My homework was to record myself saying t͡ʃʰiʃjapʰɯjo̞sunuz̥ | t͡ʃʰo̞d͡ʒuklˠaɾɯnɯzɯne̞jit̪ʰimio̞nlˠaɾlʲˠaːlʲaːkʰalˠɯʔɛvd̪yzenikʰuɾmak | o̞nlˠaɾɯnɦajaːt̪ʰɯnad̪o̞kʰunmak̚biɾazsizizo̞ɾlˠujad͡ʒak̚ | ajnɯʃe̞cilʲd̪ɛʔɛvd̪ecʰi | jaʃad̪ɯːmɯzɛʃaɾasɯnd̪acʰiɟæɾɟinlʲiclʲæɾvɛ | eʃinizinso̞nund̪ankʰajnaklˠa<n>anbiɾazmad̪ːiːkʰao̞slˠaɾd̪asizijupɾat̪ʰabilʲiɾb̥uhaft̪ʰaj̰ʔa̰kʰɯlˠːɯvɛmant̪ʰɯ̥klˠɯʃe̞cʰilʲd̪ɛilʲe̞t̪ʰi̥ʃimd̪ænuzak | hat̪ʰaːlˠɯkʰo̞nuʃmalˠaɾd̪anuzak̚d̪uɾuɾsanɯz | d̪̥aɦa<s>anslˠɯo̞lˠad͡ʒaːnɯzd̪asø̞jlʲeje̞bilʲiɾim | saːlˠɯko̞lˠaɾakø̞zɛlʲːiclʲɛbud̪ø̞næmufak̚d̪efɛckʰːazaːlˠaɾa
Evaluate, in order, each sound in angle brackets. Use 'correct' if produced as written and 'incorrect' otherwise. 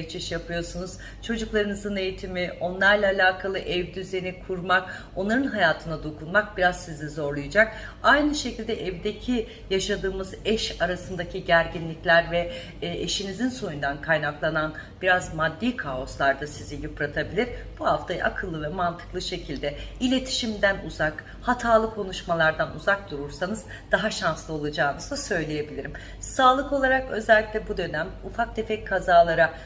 correct, incorrect: ʃ

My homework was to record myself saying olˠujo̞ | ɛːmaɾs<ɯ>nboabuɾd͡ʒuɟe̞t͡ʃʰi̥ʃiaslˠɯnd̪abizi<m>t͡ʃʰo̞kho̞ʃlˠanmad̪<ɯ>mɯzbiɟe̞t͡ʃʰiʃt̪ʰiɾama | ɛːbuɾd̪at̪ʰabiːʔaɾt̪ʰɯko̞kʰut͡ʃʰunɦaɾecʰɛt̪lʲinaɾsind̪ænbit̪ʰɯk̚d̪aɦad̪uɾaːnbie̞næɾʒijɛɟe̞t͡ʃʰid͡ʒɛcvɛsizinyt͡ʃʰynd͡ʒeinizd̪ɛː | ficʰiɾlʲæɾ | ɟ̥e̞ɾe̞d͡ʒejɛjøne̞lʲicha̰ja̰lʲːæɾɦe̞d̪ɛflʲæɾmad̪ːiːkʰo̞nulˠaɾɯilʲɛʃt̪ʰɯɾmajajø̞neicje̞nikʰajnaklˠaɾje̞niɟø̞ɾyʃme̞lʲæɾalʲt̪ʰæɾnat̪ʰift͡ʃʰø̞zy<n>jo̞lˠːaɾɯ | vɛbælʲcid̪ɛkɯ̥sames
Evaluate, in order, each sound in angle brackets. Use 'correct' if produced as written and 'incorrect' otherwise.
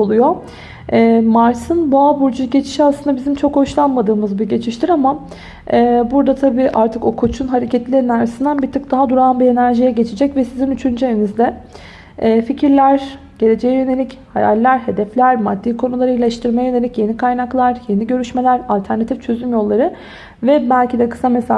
correct, correct, incorrect: ɯː, incorrect: m

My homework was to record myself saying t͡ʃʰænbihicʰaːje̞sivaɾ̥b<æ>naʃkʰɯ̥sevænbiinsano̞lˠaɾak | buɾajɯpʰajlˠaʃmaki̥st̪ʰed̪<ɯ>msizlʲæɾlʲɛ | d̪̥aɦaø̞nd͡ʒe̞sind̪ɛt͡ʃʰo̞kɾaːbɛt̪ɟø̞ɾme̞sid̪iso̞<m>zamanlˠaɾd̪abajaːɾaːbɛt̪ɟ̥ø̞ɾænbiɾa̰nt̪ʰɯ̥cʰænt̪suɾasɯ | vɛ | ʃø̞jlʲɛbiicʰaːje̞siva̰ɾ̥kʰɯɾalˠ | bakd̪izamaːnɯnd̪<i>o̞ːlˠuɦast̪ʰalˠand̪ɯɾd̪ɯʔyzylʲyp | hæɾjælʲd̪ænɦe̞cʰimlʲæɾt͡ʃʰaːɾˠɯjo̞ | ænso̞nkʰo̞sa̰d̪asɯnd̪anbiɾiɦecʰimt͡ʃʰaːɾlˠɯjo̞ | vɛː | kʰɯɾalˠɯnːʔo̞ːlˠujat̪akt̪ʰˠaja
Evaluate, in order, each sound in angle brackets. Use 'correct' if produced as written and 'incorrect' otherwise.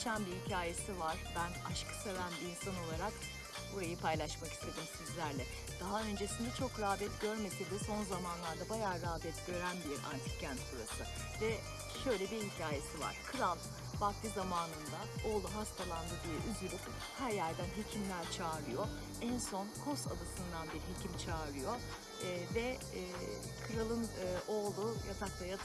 correct, correct, incorrect: n, incorrect: a

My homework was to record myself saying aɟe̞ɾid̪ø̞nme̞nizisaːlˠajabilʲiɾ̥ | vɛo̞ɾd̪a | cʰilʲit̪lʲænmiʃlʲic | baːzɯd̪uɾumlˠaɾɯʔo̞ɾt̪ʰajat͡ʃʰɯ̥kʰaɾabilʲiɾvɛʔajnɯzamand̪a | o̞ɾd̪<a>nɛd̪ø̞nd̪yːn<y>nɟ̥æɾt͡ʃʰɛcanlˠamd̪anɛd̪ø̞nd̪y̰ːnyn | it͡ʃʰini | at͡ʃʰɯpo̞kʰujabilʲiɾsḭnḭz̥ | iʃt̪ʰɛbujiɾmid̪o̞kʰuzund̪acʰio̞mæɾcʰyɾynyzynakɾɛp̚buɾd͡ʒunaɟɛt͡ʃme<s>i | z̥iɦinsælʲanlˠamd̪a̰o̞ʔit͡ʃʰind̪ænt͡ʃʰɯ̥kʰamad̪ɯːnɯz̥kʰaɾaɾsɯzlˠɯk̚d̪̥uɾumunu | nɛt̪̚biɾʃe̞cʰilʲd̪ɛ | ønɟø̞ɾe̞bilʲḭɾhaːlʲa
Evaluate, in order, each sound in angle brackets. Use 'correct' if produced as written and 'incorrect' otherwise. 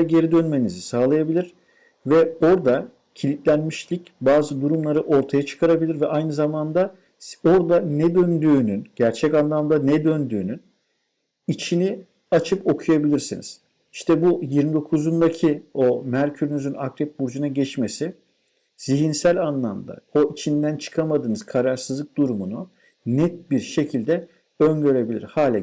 correct, correct, correct

